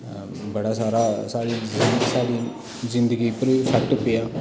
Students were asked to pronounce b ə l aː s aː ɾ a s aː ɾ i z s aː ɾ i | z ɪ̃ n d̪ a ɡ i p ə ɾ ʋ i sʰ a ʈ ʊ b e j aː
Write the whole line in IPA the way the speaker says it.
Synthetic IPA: b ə ɽ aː s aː ɾ a s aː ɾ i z s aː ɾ i | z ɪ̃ n d̪ ə ɡ i p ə ɾ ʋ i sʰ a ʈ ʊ p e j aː